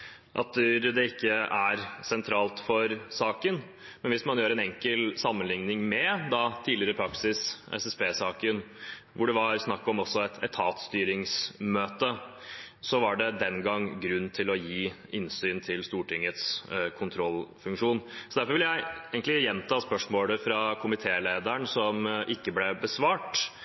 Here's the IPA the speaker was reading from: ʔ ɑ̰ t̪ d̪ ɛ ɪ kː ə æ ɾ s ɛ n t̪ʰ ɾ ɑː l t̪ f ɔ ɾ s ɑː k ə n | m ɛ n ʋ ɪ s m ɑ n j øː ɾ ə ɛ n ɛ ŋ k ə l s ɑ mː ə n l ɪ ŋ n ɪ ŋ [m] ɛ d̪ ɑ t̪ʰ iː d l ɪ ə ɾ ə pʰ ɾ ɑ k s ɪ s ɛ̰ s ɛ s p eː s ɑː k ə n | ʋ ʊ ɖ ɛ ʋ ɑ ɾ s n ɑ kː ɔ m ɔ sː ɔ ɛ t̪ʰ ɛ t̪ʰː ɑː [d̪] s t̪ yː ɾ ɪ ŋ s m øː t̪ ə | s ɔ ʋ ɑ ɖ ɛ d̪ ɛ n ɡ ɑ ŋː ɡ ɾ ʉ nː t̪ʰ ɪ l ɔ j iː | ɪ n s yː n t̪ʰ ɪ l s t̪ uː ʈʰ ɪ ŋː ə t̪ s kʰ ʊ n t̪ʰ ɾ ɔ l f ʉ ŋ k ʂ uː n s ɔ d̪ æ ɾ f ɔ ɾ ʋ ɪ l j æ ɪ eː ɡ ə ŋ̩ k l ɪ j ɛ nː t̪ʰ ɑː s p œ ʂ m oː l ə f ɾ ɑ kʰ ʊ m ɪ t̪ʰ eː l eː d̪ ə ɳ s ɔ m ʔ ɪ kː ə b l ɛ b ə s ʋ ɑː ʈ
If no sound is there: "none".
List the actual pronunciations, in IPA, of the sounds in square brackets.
m, t̪

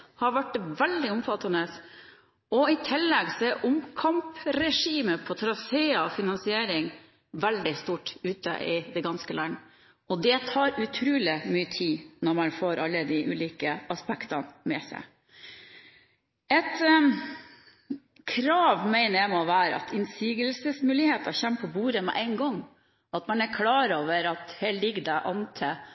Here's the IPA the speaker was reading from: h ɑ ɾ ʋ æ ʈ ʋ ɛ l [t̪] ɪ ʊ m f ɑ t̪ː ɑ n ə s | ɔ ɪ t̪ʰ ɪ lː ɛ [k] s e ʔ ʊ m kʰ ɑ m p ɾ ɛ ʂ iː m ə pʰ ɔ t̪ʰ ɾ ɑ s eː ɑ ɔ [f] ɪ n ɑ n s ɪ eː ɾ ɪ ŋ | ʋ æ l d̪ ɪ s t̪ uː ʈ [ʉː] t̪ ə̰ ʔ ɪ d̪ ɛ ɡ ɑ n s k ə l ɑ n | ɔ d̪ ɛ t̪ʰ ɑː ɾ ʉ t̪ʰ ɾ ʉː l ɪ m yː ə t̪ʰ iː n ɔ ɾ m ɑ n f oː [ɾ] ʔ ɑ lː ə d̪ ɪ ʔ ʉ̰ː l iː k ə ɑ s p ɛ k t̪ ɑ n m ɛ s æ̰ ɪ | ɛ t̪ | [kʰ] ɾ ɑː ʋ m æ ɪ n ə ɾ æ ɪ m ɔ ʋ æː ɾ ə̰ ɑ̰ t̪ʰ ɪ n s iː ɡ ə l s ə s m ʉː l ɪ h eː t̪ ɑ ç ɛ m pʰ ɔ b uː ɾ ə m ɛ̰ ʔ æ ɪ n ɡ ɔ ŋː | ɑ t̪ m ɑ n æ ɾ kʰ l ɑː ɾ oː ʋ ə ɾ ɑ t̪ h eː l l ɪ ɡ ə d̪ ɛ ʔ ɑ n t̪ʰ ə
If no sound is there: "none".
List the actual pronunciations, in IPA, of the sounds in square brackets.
d̪, ɡ, f, ʉː, ɾ, kʰ

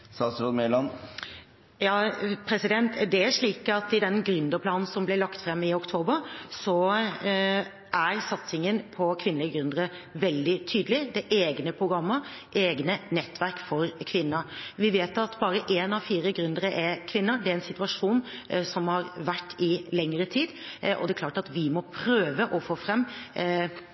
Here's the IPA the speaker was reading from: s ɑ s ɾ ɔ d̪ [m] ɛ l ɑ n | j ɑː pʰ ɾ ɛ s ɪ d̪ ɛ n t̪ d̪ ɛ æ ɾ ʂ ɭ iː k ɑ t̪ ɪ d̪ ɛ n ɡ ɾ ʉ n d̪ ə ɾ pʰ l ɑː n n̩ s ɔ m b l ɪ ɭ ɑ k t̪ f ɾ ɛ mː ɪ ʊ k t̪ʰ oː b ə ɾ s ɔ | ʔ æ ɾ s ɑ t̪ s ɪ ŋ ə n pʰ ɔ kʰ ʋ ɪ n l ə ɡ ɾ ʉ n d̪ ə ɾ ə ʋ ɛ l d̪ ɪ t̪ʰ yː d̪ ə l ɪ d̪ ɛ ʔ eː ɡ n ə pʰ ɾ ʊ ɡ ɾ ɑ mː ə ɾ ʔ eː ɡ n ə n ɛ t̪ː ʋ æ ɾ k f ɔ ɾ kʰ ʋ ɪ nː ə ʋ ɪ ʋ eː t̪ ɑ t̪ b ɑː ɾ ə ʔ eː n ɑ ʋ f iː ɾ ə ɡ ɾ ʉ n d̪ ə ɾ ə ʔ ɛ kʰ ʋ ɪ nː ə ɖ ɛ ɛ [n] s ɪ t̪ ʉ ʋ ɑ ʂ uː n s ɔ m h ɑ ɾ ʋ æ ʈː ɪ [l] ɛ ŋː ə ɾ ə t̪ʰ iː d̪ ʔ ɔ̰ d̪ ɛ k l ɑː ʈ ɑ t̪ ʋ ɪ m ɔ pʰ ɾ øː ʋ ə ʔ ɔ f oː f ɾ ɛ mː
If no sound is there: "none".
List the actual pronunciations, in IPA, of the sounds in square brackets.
m, n, l

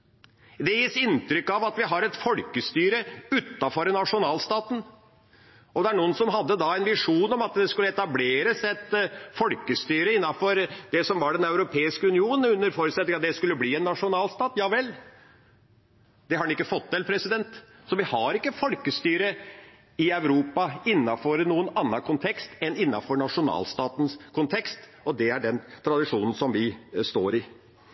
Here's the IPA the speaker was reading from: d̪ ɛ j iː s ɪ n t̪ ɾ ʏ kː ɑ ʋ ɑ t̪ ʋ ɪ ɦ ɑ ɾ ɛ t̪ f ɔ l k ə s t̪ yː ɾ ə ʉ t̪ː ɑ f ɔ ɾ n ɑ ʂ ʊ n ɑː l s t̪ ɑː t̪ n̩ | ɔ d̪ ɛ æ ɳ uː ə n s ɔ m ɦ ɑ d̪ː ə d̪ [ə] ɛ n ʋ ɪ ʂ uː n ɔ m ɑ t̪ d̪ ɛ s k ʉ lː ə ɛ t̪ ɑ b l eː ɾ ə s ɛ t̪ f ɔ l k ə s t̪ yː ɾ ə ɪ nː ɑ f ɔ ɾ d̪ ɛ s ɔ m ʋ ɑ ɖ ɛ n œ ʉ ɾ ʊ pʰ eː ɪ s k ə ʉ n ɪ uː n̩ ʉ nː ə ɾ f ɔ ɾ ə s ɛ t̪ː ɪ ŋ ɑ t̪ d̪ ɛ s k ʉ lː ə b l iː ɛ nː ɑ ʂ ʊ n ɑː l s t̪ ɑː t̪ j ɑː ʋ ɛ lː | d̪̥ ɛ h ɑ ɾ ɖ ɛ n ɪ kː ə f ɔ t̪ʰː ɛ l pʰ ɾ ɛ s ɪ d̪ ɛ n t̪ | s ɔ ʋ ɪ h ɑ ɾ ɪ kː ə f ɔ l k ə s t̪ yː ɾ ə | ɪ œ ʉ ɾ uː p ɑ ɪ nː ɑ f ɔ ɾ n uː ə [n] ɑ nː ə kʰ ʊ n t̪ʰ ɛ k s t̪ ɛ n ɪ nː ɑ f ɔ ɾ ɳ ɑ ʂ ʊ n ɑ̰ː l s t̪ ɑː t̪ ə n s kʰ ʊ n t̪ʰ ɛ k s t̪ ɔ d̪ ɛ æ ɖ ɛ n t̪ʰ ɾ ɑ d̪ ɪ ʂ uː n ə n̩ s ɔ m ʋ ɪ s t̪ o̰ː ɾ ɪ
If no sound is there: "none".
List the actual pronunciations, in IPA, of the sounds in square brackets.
ɑ, n

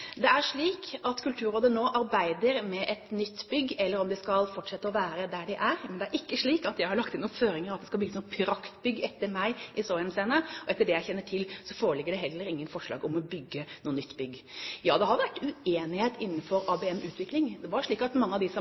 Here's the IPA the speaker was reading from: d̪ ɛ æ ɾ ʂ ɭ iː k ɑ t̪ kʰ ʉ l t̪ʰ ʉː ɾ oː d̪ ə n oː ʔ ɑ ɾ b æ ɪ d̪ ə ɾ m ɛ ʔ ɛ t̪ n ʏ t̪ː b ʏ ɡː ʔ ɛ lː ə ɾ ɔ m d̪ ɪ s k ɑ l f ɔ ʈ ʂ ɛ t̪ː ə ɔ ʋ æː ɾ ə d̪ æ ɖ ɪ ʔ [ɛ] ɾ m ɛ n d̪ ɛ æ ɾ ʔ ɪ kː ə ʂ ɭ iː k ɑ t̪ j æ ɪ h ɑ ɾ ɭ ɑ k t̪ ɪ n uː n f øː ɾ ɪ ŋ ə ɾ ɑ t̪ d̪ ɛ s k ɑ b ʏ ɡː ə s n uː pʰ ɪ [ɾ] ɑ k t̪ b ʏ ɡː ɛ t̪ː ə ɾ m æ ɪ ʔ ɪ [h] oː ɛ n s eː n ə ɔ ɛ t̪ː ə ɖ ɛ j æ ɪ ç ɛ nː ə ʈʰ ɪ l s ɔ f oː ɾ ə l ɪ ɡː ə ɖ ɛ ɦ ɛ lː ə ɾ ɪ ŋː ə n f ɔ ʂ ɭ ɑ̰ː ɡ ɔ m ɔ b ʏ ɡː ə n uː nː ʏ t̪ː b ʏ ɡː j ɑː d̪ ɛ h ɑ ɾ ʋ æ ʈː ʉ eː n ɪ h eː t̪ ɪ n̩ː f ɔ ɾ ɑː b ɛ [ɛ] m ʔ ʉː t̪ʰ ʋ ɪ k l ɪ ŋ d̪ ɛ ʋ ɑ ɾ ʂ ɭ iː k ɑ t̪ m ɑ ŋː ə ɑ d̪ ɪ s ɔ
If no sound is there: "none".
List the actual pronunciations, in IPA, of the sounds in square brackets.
æ, ɾ, s, ɛ

